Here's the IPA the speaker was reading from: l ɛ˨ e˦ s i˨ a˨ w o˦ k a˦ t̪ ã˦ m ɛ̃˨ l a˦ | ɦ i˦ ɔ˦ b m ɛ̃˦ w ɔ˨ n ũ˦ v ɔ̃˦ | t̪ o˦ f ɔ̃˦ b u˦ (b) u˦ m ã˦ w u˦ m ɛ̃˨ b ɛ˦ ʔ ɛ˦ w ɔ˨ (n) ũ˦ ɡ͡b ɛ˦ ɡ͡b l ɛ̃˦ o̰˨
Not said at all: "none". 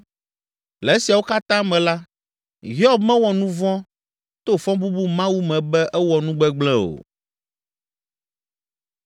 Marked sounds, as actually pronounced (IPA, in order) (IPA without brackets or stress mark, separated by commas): b, n